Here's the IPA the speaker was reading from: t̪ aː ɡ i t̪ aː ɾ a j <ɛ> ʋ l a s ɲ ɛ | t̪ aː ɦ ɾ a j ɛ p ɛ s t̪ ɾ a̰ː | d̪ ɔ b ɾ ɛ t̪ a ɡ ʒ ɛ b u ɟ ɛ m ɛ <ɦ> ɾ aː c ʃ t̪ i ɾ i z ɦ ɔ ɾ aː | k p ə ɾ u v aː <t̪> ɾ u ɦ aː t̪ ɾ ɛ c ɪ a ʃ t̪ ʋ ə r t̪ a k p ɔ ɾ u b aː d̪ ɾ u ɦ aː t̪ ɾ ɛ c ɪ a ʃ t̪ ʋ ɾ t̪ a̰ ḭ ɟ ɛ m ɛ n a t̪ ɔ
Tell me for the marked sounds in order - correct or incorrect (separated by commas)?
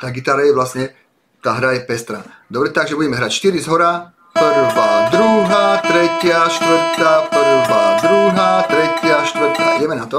correct, correct, incorrect